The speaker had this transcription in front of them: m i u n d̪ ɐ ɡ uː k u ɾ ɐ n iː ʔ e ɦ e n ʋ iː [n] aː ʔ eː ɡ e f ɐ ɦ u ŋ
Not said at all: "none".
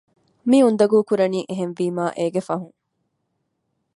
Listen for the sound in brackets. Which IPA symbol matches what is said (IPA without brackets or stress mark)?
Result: m